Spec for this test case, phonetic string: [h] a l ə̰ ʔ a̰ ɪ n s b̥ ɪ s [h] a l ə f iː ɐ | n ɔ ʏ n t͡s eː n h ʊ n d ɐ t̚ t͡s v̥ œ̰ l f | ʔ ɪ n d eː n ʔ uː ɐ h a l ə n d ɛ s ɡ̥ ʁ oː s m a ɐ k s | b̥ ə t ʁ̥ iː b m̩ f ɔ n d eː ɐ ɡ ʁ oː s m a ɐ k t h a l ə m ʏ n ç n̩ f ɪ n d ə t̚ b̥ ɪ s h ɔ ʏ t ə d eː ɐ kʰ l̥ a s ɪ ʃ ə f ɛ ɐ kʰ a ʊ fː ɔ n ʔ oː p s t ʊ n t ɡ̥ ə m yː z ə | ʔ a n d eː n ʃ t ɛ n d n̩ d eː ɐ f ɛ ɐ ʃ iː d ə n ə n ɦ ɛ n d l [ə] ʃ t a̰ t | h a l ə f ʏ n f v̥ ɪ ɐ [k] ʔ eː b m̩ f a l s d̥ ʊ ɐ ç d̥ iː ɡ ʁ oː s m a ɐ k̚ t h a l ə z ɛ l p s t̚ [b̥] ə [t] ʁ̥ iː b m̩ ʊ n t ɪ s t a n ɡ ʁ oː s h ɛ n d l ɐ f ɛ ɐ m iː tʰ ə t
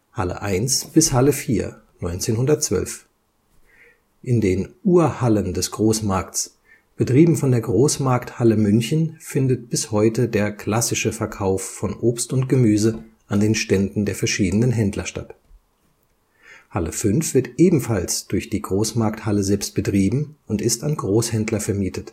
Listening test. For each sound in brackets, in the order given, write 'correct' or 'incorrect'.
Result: correct, correct, incorrect, incorrect, correct, correct

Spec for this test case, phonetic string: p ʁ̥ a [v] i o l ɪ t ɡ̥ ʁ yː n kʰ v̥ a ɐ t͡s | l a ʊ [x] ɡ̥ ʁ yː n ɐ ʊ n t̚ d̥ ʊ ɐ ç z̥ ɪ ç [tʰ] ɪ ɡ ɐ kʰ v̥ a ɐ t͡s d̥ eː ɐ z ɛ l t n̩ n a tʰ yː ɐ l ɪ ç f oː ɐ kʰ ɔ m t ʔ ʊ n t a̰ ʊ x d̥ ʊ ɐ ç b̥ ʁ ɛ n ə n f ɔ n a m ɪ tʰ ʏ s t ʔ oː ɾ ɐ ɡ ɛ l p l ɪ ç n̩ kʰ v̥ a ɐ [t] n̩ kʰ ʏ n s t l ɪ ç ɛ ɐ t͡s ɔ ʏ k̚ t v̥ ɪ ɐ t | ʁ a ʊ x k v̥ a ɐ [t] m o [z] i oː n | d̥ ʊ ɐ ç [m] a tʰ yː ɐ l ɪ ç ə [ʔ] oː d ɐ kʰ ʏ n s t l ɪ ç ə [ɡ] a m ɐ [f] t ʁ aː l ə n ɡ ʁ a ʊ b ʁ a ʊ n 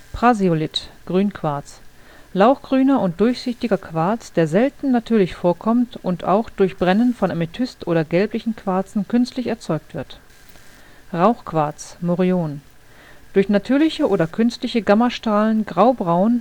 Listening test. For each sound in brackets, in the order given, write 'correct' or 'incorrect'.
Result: incorrect, correct, incorrect, incorrect, incorrect, incorrect, incorrect, correct, correct, incorrect

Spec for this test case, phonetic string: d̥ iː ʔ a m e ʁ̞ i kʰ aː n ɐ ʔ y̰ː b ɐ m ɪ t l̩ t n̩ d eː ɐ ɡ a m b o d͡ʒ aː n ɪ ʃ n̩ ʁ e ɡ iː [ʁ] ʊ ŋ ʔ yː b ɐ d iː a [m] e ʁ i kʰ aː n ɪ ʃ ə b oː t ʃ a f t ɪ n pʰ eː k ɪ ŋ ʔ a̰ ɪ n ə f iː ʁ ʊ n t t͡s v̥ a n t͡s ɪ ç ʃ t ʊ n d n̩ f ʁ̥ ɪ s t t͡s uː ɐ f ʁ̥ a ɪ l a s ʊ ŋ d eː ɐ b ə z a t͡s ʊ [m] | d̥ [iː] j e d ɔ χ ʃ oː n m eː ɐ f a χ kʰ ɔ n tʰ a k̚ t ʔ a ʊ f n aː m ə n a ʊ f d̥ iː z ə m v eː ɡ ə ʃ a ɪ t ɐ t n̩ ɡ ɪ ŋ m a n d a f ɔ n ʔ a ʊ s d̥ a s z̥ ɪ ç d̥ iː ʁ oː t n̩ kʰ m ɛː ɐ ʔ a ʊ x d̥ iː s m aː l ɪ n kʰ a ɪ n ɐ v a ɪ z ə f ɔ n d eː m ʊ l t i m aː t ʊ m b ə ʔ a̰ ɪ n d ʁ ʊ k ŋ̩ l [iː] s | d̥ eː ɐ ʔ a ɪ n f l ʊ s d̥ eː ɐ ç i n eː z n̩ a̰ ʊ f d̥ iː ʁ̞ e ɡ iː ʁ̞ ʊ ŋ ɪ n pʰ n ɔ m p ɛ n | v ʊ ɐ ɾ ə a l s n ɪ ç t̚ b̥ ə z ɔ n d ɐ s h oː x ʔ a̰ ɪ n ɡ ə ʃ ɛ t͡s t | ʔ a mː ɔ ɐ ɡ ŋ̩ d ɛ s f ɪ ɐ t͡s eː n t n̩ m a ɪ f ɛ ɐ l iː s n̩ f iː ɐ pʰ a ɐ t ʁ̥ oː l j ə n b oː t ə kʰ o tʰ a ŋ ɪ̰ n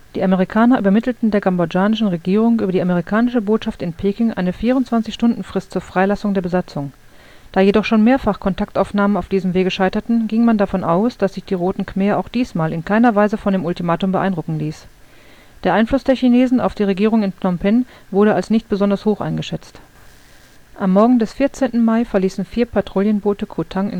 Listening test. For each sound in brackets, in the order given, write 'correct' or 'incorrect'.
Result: correct, correct, incorrect, incorrect, correct

